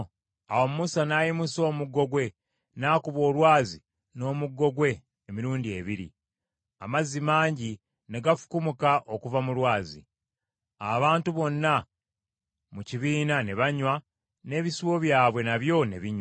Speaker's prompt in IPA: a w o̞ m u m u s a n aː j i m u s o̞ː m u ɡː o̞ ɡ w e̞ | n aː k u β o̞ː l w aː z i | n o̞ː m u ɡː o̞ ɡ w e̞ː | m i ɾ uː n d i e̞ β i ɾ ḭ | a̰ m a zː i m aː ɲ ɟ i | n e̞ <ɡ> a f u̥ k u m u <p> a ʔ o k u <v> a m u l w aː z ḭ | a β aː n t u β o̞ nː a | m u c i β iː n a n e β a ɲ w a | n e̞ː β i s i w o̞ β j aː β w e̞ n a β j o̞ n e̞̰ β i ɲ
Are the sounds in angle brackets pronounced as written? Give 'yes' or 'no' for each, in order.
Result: yes, no, yes

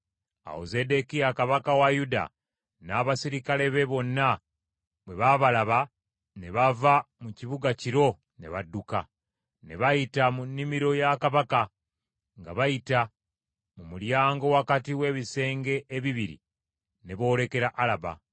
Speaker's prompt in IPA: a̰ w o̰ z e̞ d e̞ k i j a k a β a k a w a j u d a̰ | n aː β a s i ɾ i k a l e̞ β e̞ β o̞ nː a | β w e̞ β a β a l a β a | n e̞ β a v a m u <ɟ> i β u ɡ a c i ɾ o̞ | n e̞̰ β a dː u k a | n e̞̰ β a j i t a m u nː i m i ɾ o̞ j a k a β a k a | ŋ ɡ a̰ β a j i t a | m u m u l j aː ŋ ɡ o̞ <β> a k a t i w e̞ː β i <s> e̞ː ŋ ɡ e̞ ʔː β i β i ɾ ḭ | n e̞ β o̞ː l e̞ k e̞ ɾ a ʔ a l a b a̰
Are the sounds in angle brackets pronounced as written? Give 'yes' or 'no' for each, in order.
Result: no, no, yes

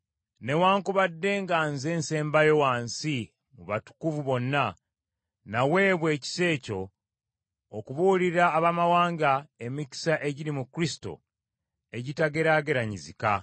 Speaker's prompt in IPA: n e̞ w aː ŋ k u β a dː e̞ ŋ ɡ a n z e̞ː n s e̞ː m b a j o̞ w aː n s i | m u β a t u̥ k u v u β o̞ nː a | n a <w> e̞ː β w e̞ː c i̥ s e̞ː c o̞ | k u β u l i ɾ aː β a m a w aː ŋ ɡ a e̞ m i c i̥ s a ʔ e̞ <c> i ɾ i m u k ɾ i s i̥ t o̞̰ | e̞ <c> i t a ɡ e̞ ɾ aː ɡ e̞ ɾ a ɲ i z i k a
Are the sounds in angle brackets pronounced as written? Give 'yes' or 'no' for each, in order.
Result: yes, no, no

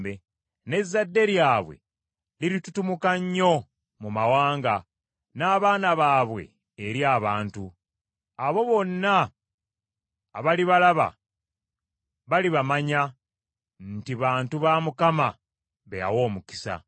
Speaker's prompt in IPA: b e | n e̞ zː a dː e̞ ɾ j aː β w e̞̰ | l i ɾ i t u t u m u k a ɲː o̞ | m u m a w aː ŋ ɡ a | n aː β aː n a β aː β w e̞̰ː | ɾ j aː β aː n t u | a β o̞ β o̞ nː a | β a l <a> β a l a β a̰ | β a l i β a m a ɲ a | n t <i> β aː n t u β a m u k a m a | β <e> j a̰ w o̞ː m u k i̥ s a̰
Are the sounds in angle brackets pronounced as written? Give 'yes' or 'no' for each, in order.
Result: no, yes, yes

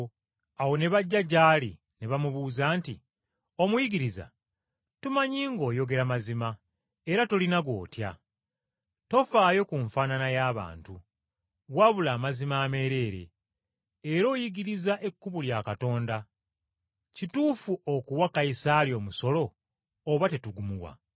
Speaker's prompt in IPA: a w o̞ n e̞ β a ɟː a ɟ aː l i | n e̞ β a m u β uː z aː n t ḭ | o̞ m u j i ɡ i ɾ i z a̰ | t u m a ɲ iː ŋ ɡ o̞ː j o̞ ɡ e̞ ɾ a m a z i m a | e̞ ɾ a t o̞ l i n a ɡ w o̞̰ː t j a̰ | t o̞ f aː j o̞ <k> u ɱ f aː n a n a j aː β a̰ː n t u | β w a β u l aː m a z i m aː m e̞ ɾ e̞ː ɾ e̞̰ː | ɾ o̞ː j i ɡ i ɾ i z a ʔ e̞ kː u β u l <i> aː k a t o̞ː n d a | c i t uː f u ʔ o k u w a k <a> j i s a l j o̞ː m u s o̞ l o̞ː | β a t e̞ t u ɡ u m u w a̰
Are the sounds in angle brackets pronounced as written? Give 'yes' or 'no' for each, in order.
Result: yes, no, yes

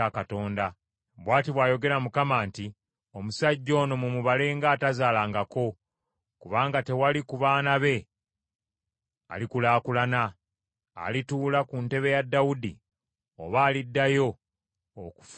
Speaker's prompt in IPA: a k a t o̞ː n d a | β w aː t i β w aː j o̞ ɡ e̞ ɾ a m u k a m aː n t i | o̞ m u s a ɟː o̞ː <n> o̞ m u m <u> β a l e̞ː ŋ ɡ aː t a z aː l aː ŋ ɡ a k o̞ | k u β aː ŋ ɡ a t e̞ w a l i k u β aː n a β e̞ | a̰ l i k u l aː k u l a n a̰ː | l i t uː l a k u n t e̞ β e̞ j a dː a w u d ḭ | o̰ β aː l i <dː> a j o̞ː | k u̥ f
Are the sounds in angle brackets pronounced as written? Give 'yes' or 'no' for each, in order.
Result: yes, yes, yes

